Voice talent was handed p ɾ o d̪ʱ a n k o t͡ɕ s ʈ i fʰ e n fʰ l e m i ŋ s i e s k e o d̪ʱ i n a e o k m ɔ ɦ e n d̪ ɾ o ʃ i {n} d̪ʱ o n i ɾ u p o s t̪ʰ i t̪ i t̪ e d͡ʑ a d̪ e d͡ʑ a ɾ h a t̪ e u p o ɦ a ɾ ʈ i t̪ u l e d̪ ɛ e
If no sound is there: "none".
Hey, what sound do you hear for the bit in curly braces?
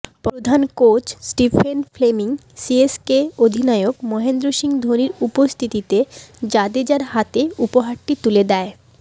ŋ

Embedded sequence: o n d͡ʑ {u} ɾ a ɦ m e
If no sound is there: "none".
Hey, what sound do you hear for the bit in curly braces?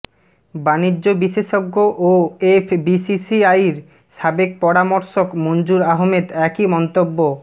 u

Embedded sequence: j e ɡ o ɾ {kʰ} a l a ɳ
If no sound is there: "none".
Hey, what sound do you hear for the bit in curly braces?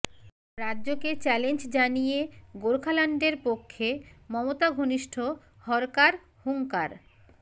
kʰ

